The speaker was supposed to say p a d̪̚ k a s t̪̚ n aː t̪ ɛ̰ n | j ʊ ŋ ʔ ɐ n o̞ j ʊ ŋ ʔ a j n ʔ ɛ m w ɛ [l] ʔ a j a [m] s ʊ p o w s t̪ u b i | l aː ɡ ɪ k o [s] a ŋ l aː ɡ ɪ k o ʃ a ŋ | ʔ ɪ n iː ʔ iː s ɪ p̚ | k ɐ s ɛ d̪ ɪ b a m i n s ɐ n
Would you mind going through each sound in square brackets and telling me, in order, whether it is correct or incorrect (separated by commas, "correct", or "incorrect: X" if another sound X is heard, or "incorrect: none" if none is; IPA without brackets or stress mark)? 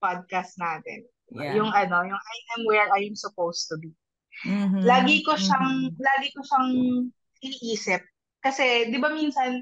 incorrect: ɹ, correct, incorrect: ʃ